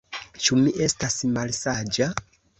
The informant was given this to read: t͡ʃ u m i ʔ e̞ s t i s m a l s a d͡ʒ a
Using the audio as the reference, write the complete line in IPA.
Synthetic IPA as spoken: t͡ʃ u m i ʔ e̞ s t a s m a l s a d͡ʒ a